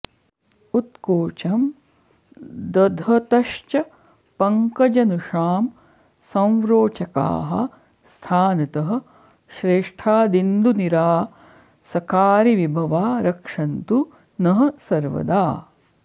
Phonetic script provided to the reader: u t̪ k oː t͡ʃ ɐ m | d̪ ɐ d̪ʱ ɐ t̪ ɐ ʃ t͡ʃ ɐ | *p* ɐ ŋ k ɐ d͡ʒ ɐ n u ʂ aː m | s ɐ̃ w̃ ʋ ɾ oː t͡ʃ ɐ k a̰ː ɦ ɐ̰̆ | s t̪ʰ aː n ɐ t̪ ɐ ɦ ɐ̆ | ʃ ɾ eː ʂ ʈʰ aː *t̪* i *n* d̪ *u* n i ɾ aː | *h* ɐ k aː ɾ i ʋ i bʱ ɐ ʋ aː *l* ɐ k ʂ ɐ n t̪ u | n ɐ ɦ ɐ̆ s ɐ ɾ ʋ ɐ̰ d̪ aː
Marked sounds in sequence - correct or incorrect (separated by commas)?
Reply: correct, incorrect, correct, correct, incorrect, incorrect